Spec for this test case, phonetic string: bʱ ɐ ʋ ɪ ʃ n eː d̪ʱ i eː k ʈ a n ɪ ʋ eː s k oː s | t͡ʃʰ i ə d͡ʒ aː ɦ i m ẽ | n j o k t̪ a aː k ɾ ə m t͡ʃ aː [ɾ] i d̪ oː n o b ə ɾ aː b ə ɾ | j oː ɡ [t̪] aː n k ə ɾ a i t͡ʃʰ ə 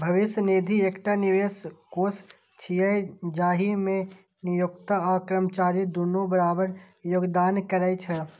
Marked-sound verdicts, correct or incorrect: correct, incorrect: d̪

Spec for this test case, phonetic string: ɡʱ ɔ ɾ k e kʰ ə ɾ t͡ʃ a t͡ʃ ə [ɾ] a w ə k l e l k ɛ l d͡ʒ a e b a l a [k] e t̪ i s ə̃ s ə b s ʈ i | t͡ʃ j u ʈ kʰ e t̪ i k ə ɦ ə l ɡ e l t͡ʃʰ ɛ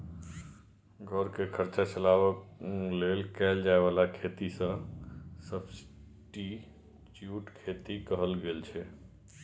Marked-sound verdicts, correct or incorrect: incorrect: l, incorrect: kʰ

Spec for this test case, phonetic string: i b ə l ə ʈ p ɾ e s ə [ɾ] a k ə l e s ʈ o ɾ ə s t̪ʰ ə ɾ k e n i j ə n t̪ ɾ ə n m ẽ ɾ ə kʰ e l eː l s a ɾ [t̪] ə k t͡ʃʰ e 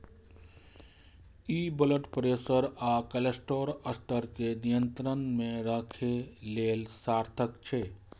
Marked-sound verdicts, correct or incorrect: correct, incorrect: t̪ʰ

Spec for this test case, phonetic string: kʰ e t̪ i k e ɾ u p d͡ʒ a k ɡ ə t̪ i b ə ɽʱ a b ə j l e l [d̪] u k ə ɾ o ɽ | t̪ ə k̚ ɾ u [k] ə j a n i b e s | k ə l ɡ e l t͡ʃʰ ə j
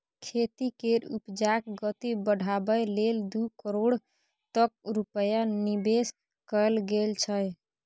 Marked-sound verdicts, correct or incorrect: correct, incorrect: p

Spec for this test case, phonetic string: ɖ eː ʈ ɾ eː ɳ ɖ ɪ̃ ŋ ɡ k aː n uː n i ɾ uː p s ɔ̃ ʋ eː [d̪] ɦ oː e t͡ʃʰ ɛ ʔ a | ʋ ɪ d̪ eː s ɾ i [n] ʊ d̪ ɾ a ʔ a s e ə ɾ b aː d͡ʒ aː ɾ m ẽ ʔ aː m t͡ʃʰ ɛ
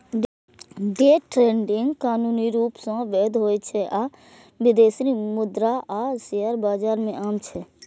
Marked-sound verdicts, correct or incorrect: correct, incorrect: m

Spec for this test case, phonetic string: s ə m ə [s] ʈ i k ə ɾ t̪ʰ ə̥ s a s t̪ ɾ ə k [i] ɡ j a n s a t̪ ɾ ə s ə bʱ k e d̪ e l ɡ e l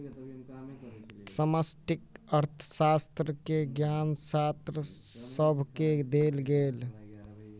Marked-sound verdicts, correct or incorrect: correct, incorrect: e

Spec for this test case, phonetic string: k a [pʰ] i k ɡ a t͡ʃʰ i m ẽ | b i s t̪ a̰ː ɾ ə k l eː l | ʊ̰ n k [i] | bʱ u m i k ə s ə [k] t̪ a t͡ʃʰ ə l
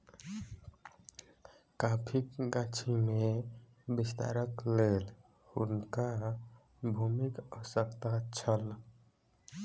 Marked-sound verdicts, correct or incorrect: correct, incorrect: a, correct

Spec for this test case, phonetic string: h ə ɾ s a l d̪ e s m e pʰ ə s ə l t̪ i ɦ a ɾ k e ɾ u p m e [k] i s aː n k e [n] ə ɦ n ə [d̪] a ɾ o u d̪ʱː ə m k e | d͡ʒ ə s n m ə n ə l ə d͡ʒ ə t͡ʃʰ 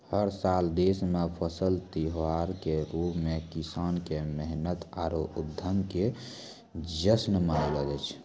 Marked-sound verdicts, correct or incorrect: correct, incorrect: m, incorrect: t̪

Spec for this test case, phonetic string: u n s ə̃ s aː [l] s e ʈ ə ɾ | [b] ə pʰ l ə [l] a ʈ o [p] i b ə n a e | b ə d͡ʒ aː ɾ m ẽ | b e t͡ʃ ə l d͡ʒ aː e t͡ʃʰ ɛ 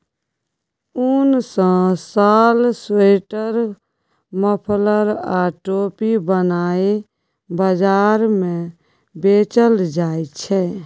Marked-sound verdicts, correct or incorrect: correct, incorrect: m, incorrect: ɾ, correct

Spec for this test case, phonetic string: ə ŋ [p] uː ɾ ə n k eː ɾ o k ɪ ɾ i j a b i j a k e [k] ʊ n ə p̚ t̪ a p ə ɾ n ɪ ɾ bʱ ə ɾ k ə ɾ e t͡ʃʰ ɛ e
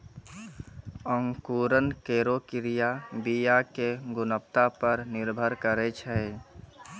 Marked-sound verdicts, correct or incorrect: incorrect: k, incorrect: ɡ

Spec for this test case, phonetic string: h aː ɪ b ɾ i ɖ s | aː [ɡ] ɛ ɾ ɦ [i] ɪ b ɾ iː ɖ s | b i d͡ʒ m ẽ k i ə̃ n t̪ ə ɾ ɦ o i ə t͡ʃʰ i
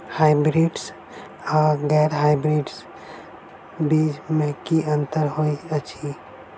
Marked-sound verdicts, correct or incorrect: correct, incorrect: a

